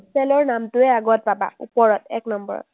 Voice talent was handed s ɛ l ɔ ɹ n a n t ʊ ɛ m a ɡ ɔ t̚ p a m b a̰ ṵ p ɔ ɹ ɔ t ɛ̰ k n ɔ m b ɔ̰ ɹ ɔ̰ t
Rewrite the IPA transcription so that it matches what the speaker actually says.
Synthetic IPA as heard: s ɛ l ɔ ɹ n a m t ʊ ɛ a ɡ ɔ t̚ p a b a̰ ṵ p ɔ ɹ ɔ t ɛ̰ k n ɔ m b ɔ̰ ɹ ɔ̰ t